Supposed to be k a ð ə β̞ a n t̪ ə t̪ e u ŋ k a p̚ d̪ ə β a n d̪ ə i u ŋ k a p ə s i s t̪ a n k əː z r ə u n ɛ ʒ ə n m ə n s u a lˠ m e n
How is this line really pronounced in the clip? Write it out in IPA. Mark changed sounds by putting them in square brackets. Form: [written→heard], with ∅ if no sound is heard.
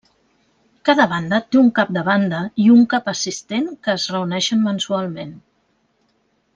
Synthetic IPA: k a ð ə β̞ a n [t̪→d̪] ə t̪ e u ŋ k a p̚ d̪ ə β a n d̪ ə i u ŋ k a p ə s i s t̪ [a→e] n k əː z r ə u n ɛ [ʒ→ʃ] ə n m ə n s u a lˠ m e n